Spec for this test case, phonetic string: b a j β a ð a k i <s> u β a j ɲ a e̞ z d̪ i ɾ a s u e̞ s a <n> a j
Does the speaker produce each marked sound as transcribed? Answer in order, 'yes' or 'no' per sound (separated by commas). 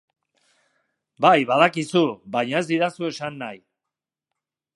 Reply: yes, no